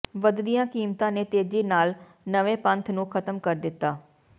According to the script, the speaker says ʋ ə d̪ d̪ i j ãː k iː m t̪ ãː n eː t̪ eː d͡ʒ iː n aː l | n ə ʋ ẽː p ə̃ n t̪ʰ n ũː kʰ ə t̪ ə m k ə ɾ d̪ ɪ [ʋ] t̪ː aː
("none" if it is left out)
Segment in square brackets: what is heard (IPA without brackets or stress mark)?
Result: none